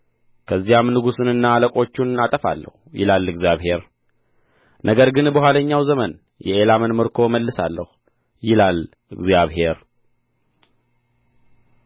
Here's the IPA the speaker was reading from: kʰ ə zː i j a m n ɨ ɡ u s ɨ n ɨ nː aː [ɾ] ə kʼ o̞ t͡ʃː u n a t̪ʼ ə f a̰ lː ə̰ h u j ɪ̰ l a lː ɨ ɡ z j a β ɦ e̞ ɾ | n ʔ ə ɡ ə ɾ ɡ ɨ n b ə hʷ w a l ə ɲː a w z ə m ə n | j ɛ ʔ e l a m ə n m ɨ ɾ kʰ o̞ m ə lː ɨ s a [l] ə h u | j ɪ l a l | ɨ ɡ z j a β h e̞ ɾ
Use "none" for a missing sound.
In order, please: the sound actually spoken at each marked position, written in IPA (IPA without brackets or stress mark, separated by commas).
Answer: l, lː